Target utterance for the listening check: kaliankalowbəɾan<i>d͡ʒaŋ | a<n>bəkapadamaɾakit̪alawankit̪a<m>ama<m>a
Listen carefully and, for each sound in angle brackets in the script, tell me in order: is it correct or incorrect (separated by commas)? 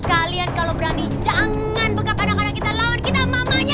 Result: correct, correct, correct, incorrect